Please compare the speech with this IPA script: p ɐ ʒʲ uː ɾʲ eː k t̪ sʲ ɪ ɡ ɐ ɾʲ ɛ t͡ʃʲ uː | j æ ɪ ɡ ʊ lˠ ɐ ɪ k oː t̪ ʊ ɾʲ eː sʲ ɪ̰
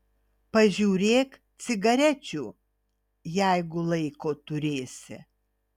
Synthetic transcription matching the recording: p ɐ ʒʲ uː ɾʲ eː k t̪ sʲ ɪ ɡ ɐ ɾʲ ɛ t͡ʃʲ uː | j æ ɪ ɡ ʊ lˠ ɐ ɪ k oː t̪ ʊ ɾʲ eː sʲ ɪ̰